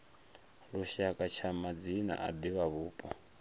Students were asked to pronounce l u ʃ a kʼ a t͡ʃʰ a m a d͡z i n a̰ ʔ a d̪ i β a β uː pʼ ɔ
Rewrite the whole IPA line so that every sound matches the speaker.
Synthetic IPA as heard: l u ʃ a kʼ a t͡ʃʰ a m a d͡z i n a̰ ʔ a d̪ i β a β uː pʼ ɔ